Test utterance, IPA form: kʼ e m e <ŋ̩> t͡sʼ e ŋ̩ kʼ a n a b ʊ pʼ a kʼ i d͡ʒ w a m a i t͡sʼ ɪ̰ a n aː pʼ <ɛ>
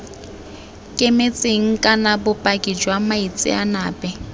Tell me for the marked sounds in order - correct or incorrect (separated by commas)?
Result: incorrect, correct